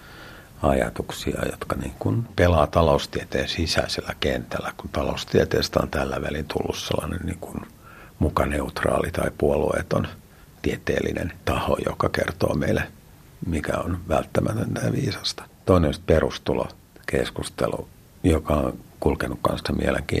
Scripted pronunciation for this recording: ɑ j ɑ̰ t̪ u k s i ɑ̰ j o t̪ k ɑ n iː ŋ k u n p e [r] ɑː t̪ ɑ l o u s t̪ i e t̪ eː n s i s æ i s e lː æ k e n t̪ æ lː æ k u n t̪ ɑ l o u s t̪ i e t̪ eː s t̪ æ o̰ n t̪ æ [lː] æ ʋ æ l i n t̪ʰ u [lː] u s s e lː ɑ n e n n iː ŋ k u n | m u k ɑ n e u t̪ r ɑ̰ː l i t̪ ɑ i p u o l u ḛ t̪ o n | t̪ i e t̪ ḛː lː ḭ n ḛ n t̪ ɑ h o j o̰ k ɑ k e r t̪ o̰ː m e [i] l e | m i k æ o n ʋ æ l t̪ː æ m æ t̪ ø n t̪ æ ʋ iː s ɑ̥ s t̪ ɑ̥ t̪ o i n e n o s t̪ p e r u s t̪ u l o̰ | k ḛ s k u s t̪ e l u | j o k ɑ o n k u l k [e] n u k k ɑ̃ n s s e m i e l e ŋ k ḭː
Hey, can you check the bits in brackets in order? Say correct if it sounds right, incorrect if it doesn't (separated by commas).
incorrect, correct, correct, correct, correct